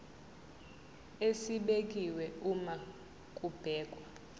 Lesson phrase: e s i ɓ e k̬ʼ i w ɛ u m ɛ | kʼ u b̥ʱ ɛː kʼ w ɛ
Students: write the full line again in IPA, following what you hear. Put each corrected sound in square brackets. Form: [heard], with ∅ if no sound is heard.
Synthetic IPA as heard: e s i ɓ e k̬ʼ i w ɛ u m [a] | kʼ u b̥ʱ ɛː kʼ w [a]